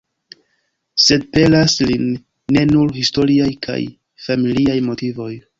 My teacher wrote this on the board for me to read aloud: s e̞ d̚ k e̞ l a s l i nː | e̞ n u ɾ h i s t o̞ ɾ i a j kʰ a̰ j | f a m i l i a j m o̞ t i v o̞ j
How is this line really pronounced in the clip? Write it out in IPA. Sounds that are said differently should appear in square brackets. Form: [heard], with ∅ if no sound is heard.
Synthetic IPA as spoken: s e̞ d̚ [p] e̞ l a s l i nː | e̞ n u ɾ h i s t o̞ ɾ i a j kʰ a̰ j | f a m i l i a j m o̞ t i v o̞ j